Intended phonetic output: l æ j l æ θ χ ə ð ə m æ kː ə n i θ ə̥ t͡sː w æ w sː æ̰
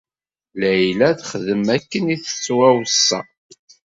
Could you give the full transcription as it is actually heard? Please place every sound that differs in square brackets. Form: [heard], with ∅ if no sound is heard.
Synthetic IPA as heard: l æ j l æ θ χ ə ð ə m æ kː ə n i θ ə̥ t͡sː w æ w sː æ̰